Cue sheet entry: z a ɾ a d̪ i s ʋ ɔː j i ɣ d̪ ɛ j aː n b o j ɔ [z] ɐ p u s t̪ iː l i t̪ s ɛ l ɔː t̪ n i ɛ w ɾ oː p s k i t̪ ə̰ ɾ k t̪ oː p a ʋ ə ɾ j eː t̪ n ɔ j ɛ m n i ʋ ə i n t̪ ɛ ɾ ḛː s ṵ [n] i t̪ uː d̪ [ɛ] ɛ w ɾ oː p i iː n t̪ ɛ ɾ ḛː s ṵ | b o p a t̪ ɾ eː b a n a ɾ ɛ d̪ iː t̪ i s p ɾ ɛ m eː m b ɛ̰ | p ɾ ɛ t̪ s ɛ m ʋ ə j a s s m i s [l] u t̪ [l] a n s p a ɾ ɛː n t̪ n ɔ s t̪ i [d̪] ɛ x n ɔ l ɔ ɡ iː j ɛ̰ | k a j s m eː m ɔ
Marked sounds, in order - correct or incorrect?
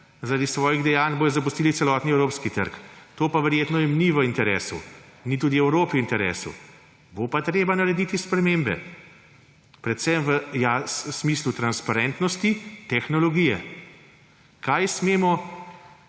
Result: correct, correct, incorrect: i, correct, incorrect: ɾ, incorrect: t̪

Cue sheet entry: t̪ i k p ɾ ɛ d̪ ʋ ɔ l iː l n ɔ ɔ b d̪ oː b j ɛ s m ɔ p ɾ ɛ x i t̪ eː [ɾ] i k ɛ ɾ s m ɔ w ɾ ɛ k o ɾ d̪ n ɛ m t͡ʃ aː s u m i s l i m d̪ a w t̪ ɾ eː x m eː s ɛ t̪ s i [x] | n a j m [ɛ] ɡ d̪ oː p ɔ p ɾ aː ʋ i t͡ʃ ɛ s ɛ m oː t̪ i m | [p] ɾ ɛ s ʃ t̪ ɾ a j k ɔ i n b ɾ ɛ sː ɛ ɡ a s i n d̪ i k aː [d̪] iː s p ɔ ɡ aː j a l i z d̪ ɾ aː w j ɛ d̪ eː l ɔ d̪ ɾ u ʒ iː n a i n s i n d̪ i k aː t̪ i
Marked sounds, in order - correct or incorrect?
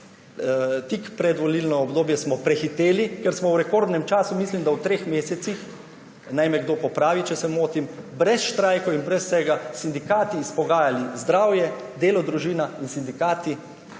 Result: incorrect: l, correct, correct, incorrect: b, incorrect: t̪

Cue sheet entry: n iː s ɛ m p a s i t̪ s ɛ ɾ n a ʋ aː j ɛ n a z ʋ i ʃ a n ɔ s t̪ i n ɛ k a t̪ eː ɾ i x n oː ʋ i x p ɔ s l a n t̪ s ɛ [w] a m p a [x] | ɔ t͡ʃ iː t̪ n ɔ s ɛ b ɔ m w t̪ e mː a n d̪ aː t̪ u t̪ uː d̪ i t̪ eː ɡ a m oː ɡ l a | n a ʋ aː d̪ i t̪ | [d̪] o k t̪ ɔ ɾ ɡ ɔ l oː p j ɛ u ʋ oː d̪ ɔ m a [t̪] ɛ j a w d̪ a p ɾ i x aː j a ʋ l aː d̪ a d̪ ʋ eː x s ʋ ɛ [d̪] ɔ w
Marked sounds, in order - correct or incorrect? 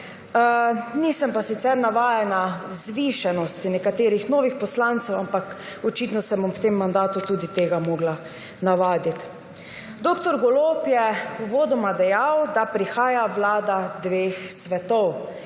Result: correct, incorrect: k, correct, incorrect: d̪, incorrect: t̪

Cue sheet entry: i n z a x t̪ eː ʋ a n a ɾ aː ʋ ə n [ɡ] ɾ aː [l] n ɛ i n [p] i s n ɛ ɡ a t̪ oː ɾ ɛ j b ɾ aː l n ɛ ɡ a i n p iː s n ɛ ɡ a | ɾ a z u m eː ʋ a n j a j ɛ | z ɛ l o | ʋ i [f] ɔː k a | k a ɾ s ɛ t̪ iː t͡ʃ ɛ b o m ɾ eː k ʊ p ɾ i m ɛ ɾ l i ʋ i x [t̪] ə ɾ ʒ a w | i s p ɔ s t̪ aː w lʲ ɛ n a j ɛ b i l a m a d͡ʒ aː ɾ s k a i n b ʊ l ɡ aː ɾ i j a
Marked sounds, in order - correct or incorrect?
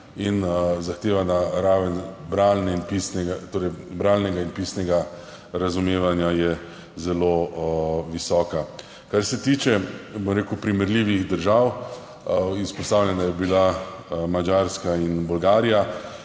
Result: incorrect: b, correct, correct, incorrect: s, incorrect: d̪

